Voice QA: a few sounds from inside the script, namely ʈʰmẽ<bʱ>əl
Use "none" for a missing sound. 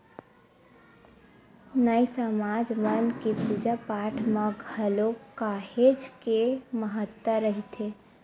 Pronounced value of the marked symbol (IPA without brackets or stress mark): ɡʱ